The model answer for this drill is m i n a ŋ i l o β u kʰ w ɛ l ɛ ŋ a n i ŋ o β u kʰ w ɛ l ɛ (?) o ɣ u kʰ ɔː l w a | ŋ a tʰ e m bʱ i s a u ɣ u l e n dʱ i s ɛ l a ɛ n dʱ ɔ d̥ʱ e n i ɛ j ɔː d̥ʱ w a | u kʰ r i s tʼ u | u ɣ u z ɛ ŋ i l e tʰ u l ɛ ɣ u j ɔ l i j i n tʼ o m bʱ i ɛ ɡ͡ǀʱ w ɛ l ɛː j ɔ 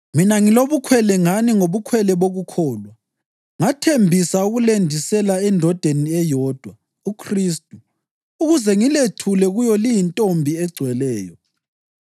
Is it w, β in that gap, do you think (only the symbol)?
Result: β